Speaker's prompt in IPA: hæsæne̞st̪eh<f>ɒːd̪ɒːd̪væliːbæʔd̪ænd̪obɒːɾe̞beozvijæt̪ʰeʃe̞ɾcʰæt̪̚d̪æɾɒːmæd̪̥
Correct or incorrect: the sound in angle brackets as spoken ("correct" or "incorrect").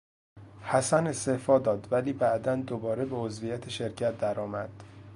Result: correct